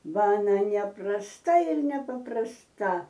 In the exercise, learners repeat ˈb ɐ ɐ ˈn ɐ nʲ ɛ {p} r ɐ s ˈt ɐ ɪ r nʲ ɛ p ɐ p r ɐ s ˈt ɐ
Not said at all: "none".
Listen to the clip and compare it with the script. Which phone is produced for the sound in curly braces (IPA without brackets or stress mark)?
p